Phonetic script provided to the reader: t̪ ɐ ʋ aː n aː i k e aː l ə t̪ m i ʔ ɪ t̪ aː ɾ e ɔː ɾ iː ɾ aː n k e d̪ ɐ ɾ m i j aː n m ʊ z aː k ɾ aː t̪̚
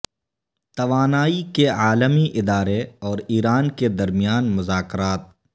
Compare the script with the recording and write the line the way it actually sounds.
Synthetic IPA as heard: t̪ ɐ ʋ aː n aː i k e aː l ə m i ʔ ɪ d̪ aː ɾ e ɔː ɾ iː ɾ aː n k e d̪ ɐ ɾ m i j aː n m ʊ z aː k ɾ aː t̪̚